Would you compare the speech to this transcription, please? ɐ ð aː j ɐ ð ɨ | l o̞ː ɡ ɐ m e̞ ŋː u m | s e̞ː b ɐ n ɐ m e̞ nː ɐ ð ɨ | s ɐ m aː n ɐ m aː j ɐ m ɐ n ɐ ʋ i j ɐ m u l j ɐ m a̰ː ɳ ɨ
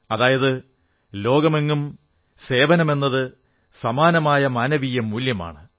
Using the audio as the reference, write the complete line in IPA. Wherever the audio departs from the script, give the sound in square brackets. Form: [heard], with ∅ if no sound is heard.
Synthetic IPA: ɐ ð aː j ɐ ð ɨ | l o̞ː ɡ ɐ m e̞ ŋː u m | s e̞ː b ɐ n ɐ m e̞ nː ɐ ð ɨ | s ɐ m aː n ɐ m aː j ɐ m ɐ n ɐ ʋ i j ɐ m u l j ɐ m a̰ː ɳ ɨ